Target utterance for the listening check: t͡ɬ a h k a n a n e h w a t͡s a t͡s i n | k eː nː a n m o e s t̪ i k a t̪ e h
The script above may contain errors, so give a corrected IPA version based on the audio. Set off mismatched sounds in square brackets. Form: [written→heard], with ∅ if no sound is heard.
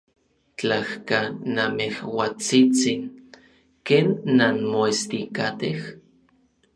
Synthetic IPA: t͡ɬ a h k a n a [n→m] e h w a t͡s [a→i] t͡s i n | k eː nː a n m o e s t̪ i k a t̪ e h